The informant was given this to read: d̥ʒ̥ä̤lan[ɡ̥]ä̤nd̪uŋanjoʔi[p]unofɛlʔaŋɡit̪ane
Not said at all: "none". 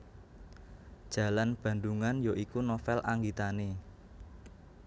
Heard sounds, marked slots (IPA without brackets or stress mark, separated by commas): b̥, k